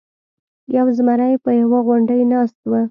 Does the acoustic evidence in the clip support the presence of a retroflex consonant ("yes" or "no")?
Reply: yes